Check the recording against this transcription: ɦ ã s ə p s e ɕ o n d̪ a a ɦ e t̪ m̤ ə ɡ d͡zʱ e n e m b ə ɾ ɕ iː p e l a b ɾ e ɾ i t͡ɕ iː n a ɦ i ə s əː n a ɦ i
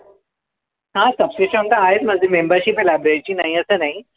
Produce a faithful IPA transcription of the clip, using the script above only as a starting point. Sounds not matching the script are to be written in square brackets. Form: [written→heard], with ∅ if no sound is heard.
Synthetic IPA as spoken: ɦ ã s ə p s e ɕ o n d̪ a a ɦ e t̪ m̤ ə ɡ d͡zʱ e [n→m] e m b ə ɾ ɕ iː p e l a b ɾ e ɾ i t͡ɕ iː n a ɦ i ə s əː n a ɦ i

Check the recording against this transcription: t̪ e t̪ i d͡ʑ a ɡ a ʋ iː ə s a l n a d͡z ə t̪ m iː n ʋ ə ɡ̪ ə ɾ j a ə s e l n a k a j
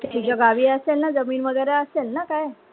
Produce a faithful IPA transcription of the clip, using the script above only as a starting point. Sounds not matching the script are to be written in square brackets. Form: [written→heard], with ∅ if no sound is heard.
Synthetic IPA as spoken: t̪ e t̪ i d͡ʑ a ɡ a ʋ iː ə s [a→e] l n a d͡z ə [t̪→∅] m iː n ʋ ə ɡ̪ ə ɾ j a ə s e l n a k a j

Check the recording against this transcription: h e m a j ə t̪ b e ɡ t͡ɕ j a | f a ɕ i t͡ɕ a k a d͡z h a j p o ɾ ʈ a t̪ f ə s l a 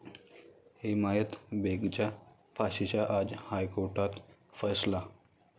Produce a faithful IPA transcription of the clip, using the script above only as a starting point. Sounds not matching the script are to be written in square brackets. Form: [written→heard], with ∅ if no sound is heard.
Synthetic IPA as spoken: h e m a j ə t̪ b e ɡ t͡ɕ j a | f a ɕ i t͡ɕ a [k→ʔ] a d͡z h a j [p→k] o ɾ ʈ a t̪ f ə s l a

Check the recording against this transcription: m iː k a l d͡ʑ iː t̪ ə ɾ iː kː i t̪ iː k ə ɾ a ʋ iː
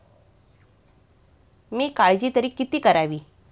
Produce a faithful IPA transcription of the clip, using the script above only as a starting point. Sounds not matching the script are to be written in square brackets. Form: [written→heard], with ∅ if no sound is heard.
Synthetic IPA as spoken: m iː k a [l→ɭ] d͡ʑ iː t̪ ə ɾ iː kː i t̪ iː k ə ɾ a ʋ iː

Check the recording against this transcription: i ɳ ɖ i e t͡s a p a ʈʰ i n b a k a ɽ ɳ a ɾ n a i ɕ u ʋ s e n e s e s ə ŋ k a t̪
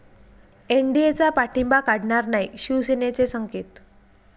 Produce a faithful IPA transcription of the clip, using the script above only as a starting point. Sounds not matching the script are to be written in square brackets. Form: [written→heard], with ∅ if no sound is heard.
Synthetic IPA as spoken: [i→e] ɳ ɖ i e t͡s a p a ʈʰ i [n→m] b a k a ɽ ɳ a ɾ n a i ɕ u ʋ s e n e [s→t͡s] e s ə ŋ k [a→e] t̪

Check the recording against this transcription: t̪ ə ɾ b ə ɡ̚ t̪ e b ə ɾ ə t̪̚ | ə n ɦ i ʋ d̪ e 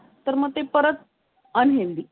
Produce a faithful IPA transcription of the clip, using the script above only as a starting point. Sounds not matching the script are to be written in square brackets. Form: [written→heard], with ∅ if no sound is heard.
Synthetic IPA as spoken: t̪ ə ɾ [b→m] ə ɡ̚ t̪ e [b→p] ə ɾ ə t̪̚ | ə n ɦ [i→e] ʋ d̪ [e→i]

